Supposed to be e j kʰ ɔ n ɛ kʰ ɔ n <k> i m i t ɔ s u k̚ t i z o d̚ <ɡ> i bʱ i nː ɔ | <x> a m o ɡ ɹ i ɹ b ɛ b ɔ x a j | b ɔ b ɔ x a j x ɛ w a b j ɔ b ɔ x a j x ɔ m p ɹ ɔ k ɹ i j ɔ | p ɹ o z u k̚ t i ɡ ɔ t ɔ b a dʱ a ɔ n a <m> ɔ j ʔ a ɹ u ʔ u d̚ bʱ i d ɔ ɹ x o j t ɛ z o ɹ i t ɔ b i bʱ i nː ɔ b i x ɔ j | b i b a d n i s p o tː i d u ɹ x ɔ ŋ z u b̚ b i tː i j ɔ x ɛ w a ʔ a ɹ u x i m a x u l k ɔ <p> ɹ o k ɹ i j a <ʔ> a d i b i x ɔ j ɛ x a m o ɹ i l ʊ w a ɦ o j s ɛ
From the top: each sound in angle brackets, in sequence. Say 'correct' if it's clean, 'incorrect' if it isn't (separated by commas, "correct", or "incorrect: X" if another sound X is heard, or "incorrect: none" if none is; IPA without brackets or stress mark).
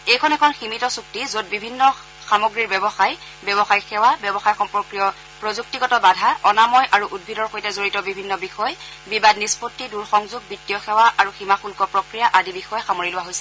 incorrect: x, incorrect: b, correct, correct, correct, correct